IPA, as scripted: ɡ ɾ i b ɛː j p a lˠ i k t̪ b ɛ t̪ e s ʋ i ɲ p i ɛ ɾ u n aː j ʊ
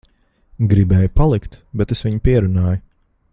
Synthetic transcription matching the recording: ɡ ɾ i b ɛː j p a lˠ i k t̪ b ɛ t̪ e s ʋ i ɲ p i ɛ ɾ u n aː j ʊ